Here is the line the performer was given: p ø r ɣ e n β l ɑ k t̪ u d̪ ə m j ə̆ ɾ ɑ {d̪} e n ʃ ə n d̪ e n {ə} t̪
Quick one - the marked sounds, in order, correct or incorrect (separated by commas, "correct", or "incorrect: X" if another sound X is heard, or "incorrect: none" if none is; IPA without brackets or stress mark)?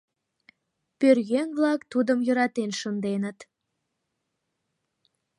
incorrect: t̪, correct